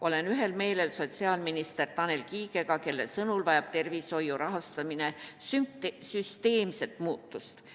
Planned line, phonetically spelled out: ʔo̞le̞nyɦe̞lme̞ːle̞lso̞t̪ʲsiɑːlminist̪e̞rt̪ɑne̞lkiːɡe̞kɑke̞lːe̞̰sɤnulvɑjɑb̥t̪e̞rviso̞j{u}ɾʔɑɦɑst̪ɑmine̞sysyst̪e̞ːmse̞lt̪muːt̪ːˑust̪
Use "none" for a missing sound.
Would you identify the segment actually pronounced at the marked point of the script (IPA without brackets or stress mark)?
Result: u